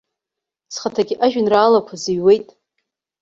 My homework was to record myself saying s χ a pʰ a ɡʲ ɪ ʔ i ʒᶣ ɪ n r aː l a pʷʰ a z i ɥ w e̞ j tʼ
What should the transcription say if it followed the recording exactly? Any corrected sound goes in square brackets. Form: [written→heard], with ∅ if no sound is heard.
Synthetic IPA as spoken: s χ a [pʰ→tʰ] a ɡʲ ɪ ʔ [i→a] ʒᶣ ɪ n r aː l a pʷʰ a z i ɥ w e̞ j tʼ